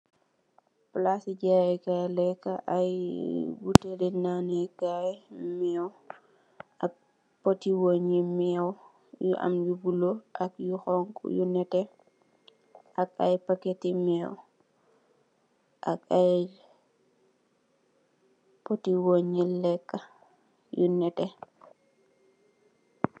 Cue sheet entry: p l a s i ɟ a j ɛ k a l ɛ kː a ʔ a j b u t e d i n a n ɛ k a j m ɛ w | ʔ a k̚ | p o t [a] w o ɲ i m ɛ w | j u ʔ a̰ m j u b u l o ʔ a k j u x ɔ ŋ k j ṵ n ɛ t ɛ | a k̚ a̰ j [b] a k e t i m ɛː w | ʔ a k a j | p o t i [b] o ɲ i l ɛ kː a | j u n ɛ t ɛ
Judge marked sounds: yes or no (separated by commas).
no, no, no